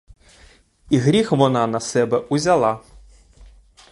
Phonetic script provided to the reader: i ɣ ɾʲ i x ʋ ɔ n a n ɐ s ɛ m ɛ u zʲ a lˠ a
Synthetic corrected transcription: i ɣ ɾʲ i x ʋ ɔ n a n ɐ s ɛ b ɛ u zʲ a lˠ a